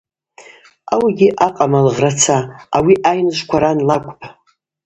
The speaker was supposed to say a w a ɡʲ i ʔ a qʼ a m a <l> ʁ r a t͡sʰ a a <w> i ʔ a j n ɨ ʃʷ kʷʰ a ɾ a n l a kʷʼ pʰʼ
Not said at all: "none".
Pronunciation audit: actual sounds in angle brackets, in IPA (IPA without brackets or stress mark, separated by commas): l, w